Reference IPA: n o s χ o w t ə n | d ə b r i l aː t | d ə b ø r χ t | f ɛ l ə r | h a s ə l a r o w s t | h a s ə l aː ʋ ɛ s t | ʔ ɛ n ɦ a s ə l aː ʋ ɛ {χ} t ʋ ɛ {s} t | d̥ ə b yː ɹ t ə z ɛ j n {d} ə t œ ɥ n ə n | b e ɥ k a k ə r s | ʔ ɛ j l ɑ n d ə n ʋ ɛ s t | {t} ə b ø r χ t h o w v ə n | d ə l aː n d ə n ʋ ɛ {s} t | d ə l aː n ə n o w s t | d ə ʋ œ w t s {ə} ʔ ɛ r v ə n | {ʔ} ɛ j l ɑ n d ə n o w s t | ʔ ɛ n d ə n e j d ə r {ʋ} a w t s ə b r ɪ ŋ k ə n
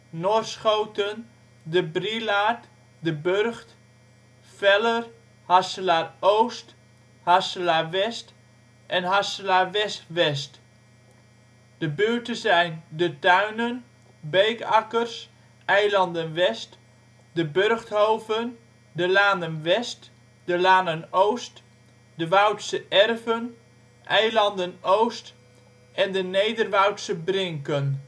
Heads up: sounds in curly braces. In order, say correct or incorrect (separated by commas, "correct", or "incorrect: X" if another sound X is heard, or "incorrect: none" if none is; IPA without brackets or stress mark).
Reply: incorrect: s, correct, correct, incorrect: d, correct, correct, correct, correct